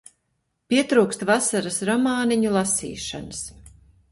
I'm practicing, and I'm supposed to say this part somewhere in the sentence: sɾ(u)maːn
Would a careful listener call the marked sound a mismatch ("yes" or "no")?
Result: yes